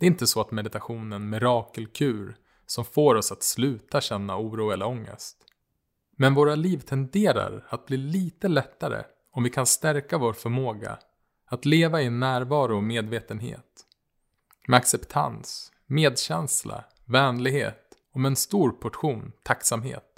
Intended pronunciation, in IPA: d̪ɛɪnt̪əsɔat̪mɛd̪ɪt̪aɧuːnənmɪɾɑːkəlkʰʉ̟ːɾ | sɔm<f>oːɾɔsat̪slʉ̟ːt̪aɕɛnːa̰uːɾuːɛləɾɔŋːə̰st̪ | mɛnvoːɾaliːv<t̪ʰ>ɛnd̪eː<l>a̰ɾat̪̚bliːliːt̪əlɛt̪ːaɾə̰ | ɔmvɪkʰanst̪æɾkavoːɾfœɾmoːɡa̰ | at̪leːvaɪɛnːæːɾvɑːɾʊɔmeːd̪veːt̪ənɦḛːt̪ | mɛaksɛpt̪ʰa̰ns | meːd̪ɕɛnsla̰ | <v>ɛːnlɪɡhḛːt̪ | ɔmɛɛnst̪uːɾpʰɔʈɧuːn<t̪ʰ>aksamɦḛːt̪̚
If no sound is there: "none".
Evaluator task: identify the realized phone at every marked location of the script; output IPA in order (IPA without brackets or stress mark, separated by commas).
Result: f, t̪ʰ, ɾ, v, t̪ʰ